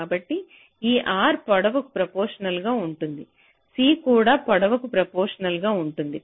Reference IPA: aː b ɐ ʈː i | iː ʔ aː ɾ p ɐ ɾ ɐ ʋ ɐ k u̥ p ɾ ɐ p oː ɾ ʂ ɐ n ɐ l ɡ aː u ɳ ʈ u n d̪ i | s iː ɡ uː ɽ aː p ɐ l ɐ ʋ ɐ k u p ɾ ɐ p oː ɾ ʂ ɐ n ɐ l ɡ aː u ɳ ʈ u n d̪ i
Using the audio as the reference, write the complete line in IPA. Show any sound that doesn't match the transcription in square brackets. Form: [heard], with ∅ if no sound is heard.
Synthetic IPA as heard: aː b ɐ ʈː i | iː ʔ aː ɾ p ɐ [ɽ] ɐ ʋ ɐ k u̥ p ɾ ɐ p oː ɾ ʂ ɐ n ɐ l ɡ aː u ɳ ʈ u n d̪ i | s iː [k] uː ɽ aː p ɐ [ɽ] ɐ ʋ ɐ k u p ɾ ɐ p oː ɾ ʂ ɐ n ɐ l ɡ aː u ɳ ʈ u n d̪ i